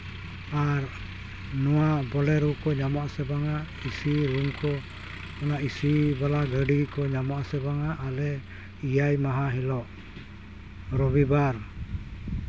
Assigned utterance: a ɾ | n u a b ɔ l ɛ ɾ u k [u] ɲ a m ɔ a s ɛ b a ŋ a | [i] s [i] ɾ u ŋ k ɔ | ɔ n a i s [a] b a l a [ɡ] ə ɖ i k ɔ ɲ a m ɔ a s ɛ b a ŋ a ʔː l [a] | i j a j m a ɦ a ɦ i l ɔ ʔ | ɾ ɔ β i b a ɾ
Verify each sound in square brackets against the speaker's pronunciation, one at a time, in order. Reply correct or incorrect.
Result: incorrect, correct, correct, incorrect, correct, incorrect

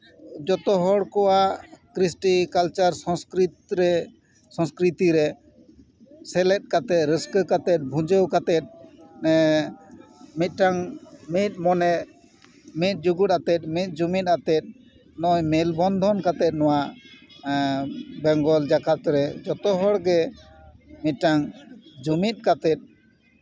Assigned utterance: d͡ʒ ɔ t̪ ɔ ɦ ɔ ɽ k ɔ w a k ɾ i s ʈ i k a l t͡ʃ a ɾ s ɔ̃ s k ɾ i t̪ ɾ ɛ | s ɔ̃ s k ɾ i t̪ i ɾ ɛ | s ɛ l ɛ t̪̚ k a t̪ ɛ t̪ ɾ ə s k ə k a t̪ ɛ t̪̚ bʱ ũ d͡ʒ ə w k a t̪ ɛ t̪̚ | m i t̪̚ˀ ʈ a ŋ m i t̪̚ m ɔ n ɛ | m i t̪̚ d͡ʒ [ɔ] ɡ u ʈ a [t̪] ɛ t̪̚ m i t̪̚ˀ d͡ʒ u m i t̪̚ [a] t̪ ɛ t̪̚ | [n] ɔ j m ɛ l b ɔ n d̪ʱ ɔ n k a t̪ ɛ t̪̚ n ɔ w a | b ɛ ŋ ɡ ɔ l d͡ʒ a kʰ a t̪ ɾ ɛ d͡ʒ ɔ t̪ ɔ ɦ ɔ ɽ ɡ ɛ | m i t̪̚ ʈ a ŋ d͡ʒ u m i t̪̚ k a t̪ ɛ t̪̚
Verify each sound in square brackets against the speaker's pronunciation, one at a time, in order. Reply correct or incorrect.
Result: incorrect, correct, correct, correct

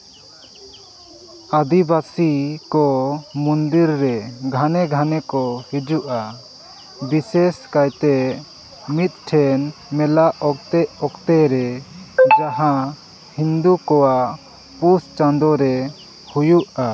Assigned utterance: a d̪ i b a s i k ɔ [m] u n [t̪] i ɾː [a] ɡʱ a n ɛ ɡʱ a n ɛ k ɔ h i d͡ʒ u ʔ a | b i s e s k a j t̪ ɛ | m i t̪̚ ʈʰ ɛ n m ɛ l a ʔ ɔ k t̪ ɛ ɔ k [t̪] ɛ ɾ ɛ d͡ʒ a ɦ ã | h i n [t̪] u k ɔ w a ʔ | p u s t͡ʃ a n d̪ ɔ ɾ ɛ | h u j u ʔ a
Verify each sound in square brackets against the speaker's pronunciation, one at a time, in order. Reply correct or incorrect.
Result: correct, incorrect, incorrect, correct, incorrect

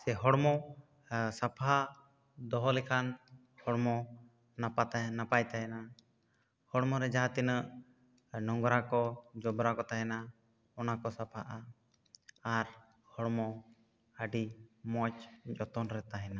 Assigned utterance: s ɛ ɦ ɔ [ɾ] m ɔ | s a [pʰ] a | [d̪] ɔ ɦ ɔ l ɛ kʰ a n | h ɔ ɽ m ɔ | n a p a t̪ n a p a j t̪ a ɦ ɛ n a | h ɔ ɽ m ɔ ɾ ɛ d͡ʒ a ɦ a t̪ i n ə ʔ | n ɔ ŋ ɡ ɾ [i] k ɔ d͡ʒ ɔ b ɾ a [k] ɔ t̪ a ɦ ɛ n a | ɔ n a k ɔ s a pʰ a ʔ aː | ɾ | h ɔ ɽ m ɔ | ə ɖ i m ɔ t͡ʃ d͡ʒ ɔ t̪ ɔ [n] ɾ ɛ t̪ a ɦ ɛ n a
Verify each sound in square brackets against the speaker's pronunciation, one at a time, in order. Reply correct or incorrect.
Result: incorrect, correct, correct, incorrect, correct, correct

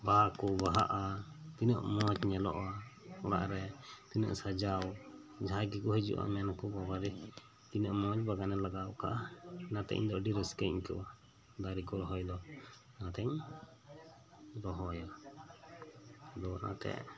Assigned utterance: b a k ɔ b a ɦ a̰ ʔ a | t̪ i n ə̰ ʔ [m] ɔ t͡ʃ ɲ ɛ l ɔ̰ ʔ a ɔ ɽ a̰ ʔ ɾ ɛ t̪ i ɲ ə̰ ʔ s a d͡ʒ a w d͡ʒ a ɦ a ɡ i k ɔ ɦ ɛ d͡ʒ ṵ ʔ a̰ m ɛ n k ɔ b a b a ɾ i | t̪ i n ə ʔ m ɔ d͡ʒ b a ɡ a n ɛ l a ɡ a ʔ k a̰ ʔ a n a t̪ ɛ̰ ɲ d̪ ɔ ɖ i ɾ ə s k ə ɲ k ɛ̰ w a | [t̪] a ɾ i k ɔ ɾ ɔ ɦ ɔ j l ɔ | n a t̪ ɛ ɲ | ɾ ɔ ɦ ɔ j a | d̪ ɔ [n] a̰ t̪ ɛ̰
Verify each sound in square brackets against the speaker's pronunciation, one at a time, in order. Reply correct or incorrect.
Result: correct, incorrect, correct

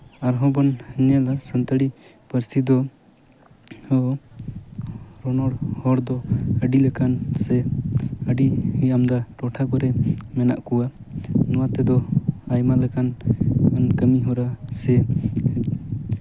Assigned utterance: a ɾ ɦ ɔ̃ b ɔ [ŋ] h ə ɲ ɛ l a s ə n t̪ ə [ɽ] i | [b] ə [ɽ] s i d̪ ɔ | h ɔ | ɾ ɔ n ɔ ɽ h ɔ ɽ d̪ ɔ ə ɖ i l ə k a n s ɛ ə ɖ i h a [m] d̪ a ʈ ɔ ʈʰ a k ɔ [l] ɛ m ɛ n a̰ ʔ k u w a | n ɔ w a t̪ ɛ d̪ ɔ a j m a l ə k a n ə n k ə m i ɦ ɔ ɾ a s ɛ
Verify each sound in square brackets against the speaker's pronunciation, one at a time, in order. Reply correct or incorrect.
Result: incorrect, correct, incorrect, incorrect, correct, incorrect

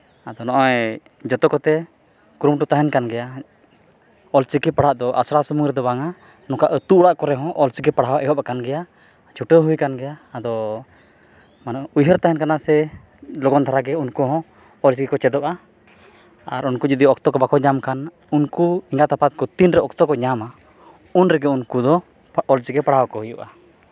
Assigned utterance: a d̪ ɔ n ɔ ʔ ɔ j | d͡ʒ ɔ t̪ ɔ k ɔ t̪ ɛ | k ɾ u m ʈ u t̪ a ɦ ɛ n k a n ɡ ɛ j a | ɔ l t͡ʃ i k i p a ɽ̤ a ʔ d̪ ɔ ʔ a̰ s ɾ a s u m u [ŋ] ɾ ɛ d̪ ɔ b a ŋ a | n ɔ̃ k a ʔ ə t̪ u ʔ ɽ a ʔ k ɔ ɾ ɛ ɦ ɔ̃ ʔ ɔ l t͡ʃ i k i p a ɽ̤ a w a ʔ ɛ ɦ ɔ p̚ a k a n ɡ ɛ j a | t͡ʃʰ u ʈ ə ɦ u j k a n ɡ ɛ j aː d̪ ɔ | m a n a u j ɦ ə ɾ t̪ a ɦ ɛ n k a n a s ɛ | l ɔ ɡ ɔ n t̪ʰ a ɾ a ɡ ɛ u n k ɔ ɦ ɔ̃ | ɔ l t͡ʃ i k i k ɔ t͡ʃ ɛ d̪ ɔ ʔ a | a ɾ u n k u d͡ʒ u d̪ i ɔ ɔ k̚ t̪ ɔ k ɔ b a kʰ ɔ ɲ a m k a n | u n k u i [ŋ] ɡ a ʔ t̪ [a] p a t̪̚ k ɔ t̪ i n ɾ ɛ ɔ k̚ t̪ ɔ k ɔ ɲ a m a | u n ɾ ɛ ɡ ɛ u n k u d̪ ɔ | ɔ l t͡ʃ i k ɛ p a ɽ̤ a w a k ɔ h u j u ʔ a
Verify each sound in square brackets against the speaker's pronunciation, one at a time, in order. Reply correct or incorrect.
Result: correct, correct, correct

